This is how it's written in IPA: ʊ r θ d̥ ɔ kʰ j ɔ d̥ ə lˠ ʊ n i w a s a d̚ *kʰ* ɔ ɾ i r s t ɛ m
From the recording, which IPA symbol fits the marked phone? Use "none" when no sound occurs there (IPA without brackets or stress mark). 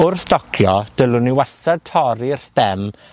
tʰ